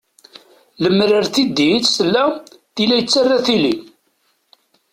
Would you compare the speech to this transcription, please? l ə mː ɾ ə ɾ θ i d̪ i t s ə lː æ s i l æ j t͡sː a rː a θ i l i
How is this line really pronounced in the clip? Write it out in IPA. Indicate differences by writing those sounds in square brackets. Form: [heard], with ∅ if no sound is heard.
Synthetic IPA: l ə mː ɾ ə ɾ θ i d̪ i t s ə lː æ [θ] i l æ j t͡sː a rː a θ i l i